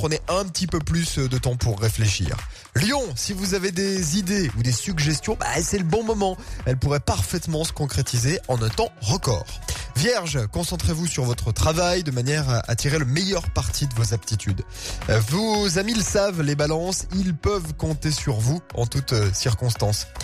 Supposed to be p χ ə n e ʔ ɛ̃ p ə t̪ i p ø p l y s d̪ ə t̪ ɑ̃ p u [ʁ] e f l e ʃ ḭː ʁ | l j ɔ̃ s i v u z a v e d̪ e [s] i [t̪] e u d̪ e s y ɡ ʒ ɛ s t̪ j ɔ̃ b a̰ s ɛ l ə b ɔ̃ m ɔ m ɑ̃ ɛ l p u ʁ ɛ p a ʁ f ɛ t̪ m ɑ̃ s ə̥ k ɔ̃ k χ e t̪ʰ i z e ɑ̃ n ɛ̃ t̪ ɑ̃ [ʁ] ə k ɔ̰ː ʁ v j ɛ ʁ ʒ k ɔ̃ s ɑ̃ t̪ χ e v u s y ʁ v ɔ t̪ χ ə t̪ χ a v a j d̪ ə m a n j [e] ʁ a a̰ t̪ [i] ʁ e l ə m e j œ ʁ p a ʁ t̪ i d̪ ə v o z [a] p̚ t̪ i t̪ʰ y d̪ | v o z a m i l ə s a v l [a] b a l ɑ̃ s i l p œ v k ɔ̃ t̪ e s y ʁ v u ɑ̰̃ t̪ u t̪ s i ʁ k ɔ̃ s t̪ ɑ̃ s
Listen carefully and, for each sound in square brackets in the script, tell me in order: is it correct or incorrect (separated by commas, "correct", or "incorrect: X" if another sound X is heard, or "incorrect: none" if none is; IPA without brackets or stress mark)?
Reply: incorrect: ʁː, incorrect: z, incorrect: d̪, correct, incorrect: ɛ, correct, correct, incorrect: e